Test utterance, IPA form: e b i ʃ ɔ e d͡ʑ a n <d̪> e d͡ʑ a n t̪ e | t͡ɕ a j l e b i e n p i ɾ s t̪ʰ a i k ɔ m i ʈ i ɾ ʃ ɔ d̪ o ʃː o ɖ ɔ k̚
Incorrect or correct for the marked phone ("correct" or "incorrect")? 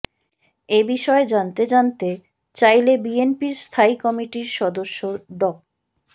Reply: incorrect